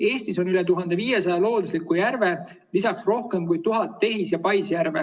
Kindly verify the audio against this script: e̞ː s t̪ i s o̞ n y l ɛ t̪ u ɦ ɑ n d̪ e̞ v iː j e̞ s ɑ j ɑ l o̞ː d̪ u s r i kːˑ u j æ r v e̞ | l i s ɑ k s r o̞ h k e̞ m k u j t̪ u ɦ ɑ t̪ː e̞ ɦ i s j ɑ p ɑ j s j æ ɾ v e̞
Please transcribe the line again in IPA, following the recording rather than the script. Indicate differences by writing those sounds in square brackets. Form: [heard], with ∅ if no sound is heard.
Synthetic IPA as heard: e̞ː s t̪ i s o̞ n y l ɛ t̪ u ɦ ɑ n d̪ e̞ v iː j e̞ s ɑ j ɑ l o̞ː d̪ u s [l] i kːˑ u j æ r v e̞ | l i s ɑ k s r o̞ h k e̞ m k u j t̪ u ɦ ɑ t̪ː e̞ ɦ i s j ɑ p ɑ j s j æ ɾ v e̞